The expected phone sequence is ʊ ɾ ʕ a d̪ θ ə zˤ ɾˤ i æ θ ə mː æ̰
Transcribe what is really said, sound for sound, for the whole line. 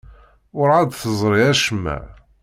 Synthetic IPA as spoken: ʊ ɾ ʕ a d̪ θ ə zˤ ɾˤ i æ ʃ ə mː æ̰

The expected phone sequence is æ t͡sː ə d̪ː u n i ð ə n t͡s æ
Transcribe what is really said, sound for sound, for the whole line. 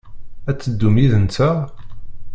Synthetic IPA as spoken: æ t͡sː ə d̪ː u m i ð ə n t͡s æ

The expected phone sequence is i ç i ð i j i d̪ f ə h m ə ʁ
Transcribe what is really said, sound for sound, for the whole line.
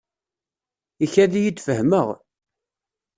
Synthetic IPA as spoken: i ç æ ð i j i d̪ f ə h m ə ʁ

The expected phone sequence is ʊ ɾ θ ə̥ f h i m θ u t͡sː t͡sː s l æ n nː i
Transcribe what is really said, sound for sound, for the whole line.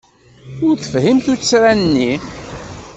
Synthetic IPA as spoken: ʊ ɾ θ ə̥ f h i m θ u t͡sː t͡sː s ɾ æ n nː i

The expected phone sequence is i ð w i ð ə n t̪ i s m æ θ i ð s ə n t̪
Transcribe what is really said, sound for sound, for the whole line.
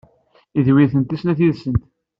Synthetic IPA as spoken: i ð w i θ ə n t̪ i s n æ θ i ð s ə n t̪

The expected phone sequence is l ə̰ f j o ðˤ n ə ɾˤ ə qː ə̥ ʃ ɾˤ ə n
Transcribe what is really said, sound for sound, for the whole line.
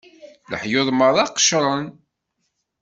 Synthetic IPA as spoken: l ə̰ ħ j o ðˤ m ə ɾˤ ɑ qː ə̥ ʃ ɾˤ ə n

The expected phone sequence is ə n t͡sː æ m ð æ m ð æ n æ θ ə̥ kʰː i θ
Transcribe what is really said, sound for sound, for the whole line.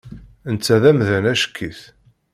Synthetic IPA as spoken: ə n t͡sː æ ð æ m ð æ n æ ʃ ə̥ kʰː i θ

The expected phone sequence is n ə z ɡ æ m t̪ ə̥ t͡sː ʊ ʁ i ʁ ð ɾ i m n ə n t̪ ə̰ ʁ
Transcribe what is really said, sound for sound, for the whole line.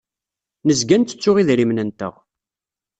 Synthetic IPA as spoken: n ə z ɡ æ n t̪ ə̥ t͡sː ʊ ʁ i ð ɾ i m n ə n t̪ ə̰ ʁ

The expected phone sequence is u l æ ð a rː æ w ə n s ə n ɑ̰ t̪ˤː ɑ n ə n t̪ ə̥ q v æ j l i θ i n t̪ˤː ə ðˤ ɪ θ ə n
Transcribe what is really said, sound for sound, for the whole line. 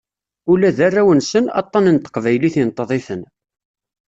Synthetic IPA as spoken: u l æ ð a rː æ w ə n s ə n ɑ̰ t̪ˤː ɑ n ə n t̪ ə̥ q v æ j l i θ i n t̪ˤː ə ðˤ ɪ θ ə n

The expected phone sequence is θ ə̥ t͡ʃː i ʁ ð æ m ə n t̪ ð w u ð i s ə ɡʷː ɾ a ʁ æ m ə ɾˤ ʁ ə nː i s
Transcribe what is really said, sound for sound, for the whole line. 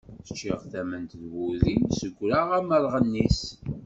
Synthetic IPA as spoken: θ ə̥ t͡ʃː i ʁ θ æ m ə n t̪ ð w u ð i s ə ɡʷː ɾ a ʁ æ m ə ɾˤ ʁ ə nː i s

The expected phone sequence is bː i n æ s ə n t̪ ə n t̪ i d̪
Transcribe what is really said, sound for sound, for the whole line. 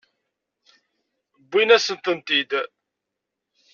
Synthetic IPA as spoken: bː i n æ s ə n t̪ ə n t̪ i d̪

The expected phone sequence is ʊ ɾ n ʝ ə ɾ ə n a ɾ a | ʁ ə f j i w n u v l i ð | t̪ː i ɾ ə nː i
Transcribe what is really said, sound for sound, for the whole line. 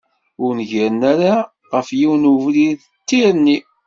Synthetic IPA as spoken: ʊ ɾ n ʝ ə ɾ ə n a ɾ a | ʁ ə f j i w n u v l i ð | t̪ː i ɾ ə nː i

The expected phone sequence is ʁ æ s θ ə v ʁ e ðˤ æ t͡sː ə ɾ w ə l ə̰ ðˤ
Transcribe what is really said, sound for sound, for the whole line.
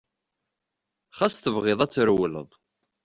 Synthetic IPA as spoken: χ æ s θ ə v ʁ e ðˤ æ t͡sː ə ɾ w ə l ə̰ ðˤ

